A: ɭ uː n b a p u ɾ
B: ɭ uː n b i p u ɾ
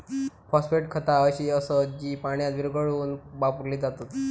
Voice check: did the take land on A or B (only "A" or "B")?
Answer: A